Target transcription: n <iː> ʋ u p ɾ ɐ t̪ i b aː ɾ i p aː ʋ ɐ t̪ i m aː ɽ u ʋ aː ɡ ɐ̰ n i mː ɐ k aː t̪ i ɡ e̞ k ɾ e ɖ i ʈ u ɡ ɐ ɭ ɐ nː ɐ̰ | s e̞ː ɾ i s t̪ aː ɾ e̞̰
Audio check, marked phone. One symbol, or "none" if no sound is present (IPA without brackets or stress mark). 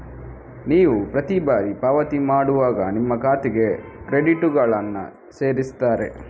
iː